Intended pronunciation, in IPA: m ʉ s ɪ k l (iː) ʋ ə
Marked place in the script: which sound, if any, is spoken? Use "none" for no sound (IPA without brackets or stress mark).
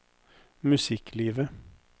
iː